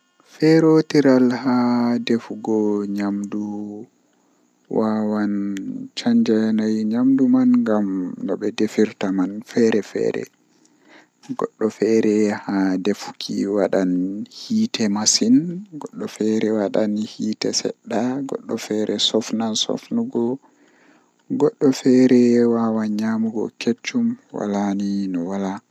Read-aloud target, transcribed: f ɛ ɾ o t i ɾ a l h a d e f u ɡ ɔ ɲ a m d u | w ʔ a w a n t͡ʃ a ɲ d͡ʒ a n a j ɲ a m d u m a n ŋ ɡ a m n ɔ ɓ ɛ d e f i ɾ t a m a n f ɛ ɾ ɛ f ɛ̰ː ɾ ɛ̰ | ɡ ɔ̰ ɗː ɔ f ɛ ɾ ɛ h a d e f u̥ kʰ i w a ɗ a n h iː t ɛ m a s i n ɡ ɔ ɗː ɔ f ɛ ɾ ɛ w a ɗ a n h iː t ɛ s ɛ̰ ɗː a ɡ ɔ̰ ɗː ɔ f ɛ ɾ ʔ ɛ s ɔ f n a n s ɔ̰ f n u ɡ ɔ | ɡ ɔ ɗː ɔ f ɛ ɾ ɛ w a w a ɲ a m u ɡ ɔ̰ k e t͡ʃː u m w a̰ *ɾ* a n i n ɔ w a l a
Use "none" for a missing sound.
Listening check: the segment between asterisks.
l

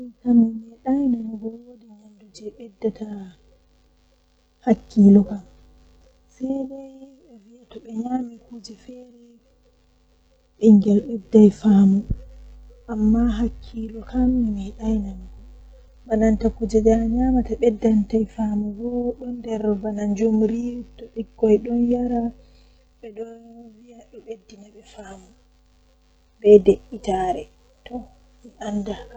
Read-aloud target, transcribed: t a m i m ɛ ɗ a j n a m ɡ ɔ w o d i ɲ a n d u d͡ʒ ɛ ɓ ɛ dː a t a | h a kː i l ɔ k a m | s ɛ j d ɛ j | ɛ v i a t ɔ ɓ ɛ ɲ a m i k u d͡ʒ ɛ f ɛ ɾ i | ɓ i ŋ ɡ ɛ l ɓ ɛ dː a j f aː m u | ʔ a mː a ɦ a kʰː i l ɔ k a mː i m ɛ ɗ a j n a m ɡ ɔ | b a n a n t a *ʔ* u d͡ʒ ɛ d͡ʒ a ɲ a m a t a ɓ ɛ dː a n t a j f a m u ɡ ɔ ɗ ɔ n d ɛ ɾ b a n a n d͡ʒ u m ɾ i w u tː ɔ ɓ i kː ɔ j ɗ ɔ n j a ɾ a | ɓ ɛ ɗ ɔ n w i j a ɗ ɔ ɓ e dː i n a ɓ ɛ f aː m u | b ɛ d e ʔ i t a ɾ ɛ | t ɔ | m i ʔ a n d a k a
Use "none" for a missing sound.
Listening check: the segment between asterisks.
k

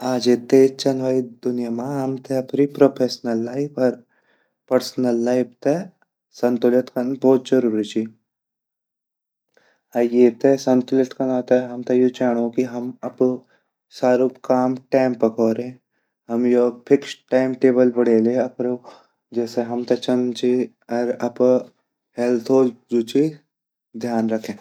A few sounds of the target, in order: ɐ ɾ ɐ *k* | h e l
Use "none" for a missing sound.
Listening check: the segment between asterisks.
p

